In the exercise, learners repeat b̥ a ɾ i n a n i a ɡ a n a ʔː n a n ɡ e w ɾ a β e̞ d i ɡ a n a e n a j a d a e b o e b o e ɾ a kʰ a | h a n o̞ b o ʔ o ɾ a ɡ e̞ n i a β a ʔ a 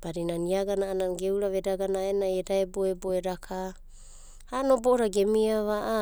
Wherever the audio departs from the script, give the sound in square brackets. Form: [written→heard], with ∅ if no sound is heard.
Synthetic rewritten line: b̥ a ɾ i n a n i a ɡ a n a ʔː n a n ɡ e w ɾ a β e̞ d [i→a] ɡ a n a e n a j [a→e] d a e b o e b o e ɾ a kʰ a | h a n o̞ b o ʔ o ɾ a ɡ e̞ [n→m] i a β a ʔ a